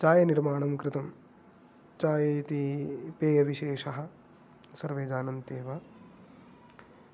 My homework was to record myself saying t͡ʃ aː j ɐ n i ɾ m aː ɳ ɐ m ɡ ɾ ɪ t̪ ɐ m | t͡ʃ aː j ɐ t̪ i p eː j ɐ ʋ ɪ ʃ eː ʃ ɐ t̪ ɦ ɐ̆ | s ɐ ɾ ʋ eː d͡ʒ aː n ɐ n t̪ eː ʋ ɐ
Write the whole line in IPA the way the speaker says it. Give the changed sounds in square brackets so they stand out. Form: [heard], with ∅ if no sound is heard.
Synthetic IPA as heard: t͡ʃ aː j ɐ n i ɾ m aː ɳ ɐ m [k] ɾ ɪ t̪ ɐ m | t͡ʃ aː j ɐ t̪ i p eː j ɐ ʋ [i] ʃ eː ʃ ɐ [∅] ɦ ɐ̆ | s ɐ ɾ ʋ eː d͡ʒ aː n ɐ n t̪ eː ʋ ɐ